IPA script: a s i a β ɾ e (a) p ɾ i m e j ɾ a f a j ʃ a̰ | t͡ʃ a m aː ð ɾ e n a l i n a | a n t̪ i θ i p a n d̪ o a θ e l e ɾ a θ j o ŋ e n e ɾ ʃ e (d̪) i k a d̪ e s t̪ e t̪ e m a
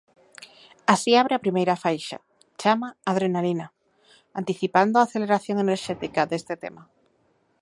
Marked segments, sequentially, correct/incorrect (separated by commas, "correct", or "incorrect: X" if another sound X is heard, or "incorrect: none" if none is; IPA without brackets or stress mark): correct, incorrect: t̪